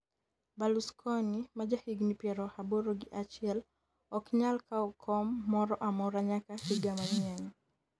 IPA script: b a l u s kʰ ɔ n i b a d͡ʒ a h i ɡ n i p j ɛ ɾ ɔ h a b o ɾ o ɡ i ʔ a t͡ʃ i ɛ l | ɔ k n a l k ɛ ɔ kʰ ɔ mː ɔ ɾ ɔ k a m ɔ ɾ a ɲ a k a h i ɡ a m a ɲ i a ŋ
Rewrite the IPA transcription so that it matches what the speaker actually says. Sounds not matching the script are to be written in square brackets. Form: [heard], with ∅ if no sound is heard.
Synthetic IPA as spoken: b a l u s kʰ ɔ n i [m] a d͡ʒ a h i ɡ n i p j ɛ ɾ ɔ h a b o ɾ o ɡ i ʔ a t͡ʃ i ɛ l | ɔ k [ɲ] a l k [a] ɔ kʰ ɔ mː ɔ ɾ ɔ [ʔ] a m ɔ ɾ a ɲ a k a h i ɡ a m a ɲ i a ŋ

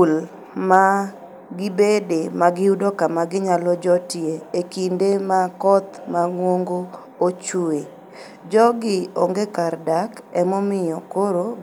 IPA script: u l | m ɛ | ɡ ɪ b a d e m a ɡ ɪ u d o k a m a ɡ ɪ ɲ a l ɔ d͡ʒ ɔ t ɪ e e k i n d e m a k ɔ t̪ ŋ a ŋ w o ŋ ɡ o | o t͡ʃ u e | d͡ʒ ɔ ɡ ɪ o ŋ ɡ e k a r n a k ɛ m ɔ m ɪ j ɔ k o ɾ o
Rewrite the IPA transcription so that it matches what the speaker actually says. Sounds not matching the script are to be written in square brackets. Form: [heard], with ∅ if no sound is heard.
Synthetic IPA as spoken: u l | m [a] | ɡ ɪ b [e] d e m a ɡ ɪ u d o k a m a ɡ ɪ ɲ a l ɔ d͡ʒ ɔ t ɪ e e k i n d e m a k ɔ t̪ [m] a ŋ w o ŋ ɡ o | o t͡ʃ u e | d͡ʒ ɔ ɡ ɪ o ŋ ɡ e k a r [d] a k ɛ m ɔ m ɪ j ɔ k o ɾ o

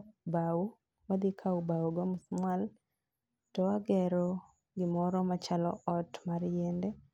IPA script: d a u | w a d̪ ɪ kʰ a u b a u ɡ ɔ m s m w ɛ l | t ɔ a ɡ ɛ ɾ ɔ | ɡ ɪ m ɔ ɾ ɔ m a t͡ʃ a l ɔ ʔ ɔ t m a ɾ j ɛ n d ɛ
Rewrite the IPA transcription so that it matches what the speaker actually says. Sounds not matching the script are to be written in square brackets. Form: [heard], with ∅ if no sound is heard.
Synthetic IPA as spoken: [b] a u | w a d̪ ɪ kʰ a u b a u ɡ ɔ m s m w [a] l | t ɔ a ɡ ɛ ɾ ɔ | ɡ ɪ m ɔ ɾ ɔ m a t͡ʃ a l ɔ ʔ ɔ t m a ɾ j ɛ n d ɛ

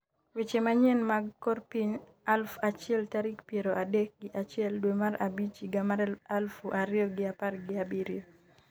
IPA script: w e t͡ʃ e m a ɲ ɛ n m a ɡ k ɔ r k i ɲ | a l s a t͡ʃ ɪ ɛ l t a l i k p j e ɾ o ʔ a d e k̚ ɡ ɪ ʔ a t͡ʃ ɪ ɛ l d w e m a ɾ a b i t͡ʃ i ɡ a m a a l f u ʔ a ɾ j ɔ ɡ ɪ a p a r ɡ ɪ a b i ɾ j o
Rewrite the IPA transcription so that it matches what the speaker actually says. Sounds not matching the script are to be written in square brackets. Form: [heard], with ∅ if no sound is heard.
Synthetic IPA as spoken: w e t͡ʃ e m a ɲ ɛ n m a ɡ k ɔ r [p] i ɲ | a l [f] a t͡ʃ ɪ ɛ l t a [ɾ] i k p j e ɾ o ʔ a d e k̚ ɡ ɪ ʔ a t͡ʃ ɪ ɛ l d w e m a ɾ a b i t͡ʃ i ɡ a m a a l f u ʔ a ɾ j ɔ ɡ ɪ a p a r ɡ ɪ a b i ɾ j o

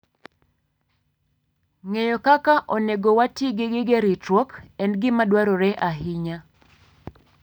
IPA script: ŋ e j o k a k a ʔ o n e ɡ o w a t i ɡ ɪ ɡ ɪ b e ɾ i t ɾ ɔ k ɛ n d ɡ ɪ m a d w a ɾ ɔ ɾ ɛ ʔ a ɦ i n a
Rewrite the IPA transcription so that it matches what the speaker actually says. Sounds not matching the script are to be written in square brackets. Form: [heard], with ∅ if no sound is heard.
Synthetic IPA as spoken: ŋ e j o k a k a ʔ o n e ɡ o w a t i ɡ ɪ ɡ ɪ [ɡ] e ɾ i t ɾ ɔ k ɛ n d ɡ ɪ m a d w a ɾ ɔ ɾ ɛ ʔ a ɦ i [ɲ] a

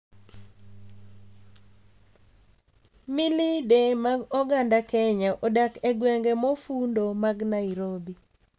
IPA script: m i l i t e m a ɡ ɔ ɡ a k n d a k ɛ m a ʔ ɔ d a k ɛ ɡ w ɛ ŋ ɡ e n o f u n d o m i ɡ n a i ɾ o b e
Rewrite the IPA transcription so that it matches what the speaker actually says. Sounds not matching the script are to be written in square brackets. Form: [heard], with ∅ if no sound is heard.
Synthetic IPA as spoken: m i l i [d] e m a ɡ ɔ ɡ a [∅] n d a k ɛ [ɲ] a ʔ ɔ d a k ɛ ɡ w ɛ ŋ ɡ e [m] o f u n d o m [a] ɡ n a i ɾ o b [i]

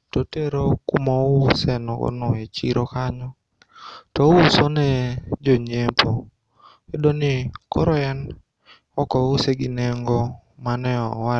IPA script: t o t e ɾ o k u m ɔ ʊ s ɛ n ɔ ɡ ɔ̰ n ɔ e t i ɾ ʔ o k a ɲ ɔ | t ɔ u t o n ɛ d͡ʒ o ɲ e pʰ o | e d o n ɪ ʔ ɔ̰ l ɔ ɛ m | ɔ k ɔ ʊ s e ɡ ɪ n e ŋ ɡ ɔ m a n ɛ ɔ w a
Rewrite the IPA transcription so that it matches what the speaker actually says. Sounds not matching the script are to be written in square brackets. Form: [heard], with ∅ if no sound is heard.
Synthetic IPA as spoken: t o t e ɾ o k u m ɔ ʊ s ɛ n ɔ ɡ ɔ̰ n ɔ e [t͡ʃ] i ɾ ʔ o k a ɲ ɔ | t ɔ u [s] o n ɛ d͡ʒ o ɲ e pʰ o | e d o n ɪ [k] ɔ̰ [ɾ] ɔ ɛ [n] | ɔ k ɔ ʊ s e ɡ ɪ n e ŋ ɡ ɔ m a n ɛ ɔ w a

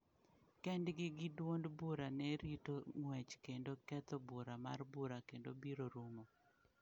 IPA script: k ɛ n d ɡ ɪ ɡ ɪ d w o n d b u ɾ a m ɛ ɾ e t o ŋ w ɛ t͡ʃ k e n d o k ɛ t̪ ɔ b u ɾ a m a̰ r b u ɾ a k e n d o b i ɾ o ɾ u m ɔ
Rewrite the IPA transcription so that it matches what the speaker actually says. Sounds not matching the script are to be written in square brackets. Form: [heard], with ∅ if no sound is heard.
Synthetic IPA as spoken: k ɛ n d ɡ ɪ ɡ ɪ d w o n d b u ɾ a [n] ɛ ɾ [i] t o ŋ w ɛ t͡ʃ k e n d o k ɛ t̪ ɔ b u ɾ a m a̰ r b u ɾ a k e n d o b i ɾ o ɾ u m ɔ

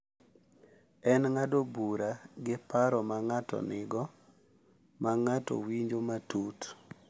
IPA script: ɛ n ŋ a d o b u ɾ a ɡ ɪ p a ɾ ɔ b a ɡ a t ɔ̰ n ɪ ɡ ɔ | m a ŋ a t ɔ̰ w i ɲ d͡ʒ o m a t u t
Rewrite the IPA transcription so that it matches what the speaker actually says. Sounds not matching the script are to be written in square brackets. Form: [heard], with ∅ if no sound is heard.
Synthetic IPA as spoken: ɛ n ŋ a d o b u ɾ a ɡ ɪ p a ɾ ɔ [m] a [ŋ] a t ɔ̰ n ɪ ɡ ɔ | m a ŋ a t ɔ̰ w i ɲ d͡ʒ o m a t u t

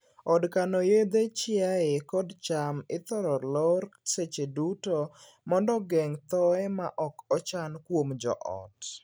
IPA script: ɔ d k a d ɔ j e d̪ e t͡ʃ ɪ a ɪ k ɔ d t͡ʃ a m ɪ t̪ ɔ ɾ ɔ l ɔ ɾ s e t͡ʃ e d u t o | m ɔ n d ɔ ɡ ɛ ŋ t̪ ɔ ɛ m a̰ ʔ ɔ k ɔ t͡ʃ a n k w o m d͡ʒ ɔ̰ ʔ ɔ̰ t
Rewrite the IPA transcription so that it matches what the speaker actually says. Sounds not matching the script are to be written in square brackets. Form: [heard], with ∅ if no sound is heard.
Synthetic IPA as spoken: ɔ d k a [n] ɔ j e d̪ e t͡ʃ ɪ a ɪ k ɔ d t͡ʃ a m ɪ t̪ ɔ ɾ ɔ l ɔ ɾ s e t͡ʃ e d u t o | m ɔ n d ɔ ɡ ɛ ŋ t̪ ɔ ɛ m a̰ ʔ ɔ k ɔ t͡ʃ a n k w o m d͡ʒ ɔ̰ ʔ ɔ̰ t

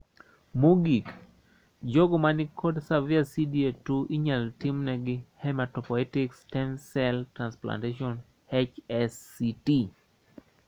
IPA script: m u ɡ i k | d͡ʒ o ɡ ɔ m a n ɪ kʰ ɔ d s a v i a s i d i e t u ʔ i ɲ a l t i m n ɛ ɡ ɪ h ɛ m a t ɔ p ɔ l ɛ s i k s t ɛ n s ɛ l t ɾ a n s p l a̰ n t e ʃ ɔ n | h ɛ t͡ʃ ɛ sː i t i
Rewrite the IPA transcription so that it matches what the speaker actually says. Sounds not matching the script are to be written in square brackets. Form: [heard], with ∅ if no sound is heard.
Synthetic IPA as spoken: m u ɡ i k | d͡ʒ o ɡ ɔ m a n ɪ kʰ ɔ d s a v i a s i d i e t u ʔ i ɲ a l t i m n ɛ ɡ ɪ h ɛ m a t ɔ p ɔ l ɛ [t] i k s t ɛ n s ɛ l t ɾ a n s p l a̰ n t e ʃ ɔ n | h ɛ t͡ʃ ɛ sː i t i

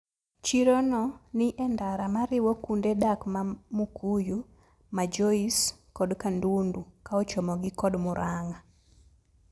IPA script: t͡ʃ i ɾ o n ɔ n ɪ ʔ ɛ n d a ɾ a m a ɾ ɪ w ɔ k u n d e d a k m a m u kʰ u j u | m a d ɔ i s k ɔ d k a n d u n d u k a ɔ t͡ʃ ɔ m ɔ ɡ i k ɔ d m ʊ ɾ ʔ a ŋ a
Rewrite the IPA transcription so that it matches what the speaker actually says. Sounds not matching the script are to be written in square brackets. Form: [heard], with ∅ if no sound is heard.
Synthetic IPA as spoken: t͡ʃ i ɾ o n ɔ n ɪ ʔ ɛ n d a ɾ a m a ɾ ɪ w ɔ k u n d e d a k m a m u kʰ u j u | m a [d͡ʒ] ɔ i s k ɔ d k a n d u n d u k a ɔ t͡ʃ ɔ m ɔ ɡ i k ɔ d m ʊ ɾ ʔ a ŋ a

